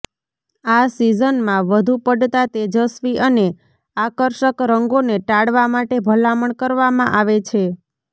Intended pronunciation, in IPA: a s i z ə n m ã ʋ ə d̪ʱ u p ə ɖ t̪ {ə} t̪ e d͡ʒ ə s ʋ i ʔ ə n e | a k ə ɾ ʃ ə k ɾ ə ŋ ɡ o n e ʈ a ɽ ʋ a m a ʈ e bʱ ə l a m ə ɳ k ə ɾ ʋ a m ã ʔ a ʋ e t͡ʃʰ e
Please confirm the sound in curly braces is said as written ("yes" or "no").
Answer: no